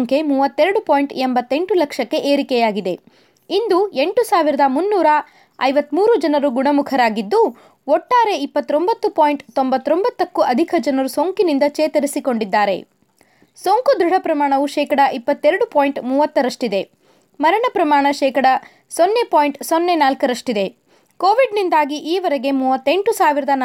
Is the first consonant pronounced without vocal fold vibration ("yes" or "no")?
no